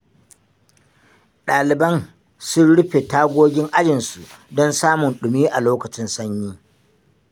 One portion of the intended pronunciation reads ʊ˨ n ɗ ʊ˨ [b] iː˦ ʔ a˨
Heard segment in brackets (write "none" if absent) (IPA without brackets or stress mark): m